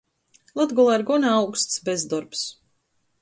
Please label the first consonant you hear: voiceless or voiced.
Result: voiced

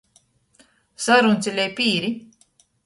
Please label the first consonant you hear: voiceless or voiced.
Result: voiceless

